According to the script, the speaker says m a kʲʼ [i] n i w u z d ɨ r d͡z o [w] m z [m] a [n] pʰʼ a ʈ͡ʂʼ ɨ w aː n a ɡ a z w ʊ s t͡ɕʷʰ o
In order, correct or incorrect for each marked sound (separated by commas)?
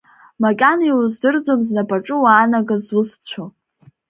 incorrect, incorrect, incorrect, incorrect